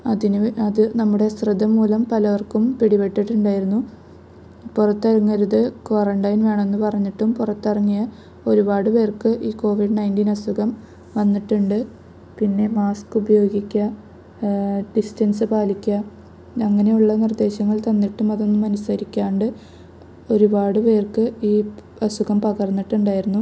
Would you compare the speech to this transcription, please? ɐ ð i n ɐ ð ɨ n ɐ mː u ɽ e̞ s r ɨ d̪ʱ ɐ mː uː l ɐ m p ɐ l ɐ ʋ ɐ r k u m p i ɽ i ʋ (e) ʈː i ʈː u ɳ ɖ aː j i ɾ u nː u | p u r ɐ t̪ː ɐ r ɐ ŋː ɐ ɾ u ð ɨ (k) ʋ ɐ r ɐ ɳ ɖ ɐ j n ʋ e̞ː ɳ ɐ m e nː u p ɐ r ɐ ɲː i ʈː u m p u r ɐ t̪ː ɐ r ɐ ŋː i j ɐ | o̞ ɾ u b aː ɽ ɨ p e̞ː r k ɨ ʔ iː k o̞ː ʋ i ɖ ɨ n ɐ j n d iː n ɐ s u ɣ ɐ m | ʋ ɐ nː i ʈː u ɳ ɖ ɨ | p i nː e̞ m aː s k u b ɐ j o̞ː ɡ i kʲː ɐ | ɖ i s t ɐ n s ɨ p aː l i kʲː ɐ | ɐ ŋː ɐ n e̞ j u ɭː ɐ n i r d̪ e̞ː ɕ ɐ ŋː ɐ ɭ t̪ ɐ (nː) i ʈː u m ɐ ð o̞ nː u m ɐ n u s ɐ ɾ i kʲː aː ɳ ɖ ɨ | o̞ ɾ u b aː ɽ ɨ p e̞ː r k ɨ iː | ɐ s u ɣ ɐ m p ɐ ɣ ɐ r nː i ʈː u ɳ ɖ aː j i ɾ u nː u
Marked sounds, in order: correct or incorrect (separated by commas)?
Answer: correct, correct, correct